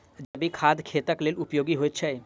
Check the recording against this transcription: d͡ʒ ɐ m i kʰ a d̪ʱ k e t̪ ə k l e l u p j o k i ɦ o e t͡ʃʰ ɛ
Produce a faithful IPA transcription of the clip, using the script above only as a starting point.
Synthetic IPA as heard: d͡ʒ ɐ b i kʰ a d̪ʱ kʰ e t̪ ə k l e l u p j o ɡ i ɦ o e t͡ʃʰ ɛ